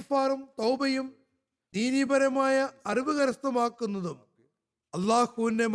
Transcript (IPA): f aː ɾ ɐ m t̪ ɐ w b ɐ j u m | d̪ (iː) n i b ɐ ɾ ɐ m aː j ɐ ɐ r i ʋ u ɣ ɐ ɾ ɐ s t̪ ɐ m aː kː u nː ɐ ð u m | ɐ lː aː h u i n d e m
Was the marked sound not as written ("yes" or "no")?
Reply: no